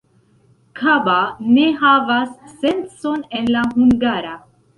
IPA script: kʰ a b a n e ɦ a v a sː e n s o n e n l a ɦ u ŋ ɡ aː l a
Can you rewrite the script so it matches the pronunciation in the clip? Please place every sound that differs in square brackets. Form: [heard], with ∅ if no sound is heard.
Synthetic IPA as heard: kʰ a b a n e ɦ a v a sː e n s o n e n l a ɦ u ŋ ɡ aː [ɾ] a